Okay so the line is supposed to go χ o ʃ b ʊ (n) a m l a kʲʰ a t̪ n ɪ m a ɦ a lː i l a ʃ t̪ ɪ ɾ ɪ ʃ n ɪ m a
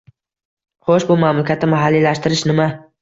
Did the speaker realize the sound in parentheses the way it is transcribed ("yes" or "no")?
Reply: no